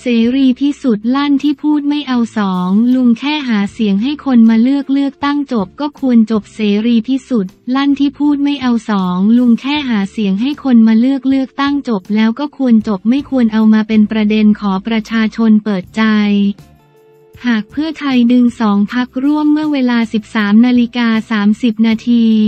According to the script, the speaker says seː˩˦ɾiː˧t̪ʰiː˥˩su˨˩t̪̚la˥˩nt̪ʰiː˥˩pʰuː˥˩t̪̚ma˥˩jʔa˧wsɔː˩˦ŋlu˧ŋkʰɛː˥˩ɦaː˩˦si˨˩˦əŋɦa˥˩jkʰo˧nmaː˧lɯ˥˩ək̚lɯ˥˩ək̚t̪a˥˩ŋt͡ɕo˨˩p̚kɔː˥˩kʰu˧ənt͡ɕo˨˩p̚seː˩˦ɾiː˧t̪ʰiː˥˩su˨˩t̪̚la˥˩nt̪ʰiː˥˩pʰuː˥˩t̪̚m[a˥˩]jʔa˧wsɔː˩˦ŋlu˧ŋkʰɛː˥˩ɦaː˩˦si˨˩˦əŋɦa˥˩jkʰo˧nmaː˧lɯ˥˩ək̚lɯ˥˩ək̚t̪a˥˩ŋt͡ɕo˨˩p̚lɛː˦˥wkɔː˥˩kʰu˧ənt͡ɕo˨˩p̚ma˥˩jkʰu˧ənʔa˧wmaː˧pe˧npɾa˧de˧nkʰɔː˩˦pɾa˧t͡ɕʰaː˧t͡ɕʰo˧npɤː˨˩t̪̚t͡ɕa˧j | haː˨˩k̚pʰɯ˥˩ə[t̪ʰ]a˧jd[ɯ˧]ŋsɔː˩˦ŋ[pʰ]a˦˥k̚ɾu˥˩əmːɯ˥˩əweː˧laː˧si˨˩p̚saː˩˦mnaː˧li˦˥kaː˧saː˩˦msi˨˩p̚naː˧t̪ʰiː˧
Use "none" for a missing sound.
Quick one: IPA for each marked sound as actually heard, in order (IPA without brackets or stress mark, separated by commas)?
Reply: a˥˩, t̪ʰ, ɯ˧, pʰ